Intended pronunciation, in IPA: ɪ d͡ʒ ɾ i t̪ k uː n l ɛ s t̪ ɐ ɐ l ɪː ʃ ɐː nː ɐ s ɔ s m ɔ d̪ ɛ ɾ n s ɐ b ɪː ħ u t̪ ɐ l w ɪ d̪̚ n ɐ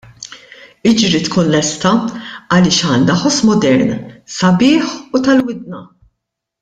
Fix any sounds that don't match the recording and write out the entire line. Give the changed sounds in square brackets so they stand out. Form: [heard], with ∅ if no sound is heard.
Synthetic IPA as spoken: ɪ d͡ʒ ɾ i t̪ k uː n l ɛ s t̪ ɐ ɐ l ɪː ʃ ɐː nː ɐ [ħ] ɔ s m ɔ d̪ ɛ ɾ n s ɐ b ɪː ħ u t̪ ɐ l w ɪ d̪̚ n ɐ